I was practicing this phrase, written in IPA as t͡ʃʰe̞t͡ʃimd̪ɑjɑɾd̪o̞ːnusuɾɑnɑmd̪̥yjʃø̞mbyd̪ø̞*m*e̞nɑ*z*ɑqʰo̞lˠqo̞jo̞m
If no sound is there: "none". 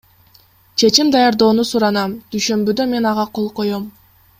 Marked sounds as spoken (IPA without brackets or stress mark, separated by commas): m, ʁ